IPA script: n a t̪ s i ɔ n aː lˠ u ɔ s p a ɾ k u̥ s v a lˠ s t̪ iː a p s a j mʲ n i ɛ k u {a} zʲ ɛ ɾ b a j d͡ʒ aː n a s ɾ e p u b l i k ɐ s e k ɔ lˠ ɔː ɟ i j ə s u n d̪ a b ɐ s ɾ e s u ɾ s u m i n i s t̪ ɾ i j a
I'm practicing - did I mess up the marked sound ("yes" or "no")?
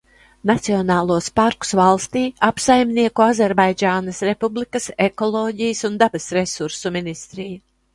no